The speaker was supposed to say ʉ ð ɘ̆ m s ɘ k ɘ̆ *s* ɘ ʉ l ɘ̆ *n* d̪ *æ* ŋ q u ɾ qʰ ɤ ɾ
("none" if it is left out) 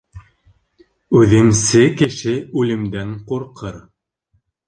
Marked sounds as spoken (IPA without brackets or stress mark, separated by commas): ʃ, m, æ